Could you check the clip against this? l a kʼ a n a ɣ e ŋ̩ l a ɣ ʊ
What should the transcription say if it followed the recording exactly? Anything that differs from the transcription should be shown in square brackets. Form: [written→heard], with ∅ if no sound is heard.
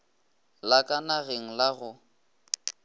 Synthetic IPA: l a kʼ a n a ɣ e ŋ̩ l a ɣ ʊ